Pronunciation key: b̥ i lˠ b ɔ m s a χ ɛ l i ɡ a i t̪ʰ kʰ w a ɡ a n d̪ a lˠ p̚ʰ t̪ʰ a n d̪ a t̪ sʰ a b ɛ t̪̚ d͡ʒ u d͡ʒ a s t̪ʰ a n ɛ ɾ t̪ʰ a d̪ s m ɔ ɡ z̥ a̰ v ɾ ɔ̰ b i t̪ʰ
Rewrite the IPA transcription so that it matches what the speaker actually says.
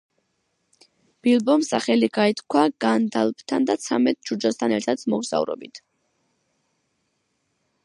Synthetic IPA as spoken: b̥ i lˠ b ɔ m s a χ ɛ l i ɡ a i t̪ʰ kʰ w a ɡ a n d̪ a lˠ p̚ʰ t̪ʰ a n d̪ a t̪ sʰ a m ɛ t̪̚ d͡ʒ u d͡ʒ a s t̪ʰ a n ɛ ɾ t̪ʰ a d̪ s m ɔ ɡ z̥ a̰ v ɾ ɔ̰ b i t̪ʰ

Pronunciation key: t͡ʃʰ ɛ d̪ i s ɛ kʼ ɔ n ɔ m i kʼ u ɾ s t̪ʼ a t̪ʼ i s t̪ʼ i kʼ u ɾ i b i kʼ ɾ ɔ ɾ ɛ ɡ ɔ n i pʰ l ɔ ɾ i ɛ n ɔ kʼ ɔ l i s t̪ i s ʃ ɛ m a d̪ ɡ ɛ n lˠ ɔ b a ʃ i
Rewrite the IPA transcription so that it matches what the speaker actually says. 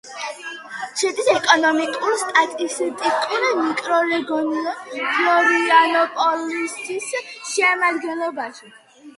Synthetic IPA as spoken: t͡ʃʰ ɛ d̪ i s ɛ kʼ ɔ n ɔ m i kʼ u ɾ s t̪ʼ a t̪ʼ i s t̪ʼ i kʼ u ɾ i m i kʼ ɾ ɔ ɾ ɛ ɡ ɔ n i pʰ l ɔ ɾ i a n ɔ pʼ ɔ l i s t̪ i s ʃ ɛ m a d̪ ɡ ɛ n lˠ ɔ b a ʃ i

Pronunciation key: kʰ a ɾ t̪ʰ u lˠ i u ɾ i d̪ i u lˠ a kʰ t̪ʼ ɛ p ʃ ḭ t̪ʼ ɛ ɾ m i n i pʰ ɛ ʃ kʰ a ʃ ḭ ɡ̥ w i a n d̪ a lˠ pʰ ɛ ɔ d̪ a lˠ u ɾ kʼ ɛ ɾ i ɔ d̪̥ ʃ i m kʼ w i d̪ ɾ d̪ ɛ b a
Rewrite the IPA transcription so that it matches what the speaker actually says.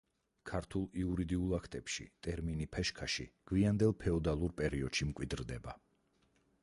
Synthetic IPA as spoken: kʰ a ɾ t̪ʰ u lˠ i u ɾ i d̪ i u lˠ a kʰ t̪ʼ ɛ p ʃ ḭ t̪ʼ ɛ ɾ m i n i pʰ ɛ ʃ kʰ a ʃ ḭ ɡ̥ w i a n d̪ ɛ lˠ pʰ ɛ ɔ d̪ a lˠ u ɾ pʼ ɛ ɾ i ɔ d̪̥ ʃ i m kʼ w i d̪ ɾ d̪ ɛ b a

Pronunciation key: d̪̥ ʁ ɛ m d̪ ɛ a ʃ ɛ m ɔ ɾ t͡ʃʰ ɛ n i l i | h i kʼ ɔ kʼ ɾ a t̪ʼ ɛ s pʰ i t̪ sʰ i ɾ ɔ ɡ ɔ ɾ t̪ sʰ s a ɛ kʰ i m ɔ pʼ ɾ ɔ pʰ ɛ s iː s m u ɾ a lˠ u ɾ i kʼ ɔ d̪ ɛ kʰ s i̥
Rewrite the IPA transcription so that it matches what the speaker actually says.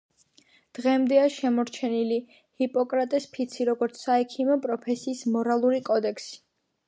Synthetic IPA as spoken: d̪̥ ʁ ɛ m d̪ ɛ a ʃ ɛ m ɔ ɾ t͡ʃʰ ɛ n i l i | h i pʼ ɔ kʼ ɾ a t̪ʼ ɛ s pʰ i t̪ sʰ i ɾ ɔ ɡ ɔ ɾ t̪ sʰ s a ɛ kʰ i m ɔ pʼ ɾ ɔ pʰ ɛ s iː s m ɔ ɾ a lˠ u ɾ i kʼ ɔ d̪ ɛ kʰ s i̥

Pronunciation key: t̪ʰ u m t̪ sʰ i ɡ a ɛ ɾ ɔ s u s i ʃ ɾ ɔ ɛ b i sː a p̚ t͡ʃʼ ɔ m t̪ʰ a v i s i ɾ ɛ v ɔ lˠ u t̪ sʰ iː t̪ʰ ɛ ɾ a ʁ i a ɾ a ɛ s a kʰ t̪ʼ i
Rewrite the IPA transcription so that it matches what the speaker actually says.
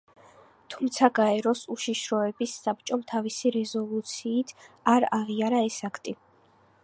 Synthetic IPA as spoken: t̪ʰ u m t̪ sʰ a ɡ a ɛ ɾ ɔ s u ʃ i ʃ ɾ ɔ ɛ b i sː a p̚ t͡ʃʼ ɔ m t̪ʰ a v i s i ɾ ɛ z ɔ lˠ u t̪ sʰ iː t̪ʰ a ɾ a ʁ i a ɾ a ɛ s a kʰ t̪ʼ i

